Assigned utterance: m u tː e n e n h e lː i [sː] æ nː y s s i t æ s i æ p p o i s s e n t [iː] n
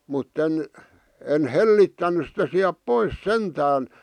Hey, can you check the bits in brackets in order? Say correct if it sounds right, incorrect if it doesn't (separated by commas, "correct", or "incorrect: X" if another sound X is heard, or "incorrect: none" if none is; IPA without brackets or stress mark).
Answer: incorrect: tː, incorrect: æː